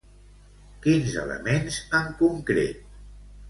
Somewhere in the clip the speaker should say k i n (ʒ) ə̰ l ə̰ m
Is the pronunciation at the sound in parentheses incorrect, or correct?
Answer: incorrect